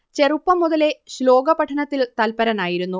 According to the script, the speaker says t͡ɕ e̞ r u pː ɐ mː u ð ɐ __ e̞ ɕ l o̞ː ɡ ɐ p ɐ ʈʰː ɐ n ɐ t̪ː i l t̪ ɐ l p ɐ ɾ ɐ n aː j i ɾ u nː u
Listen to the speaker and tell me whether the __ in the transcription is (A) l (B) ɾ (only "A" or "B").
A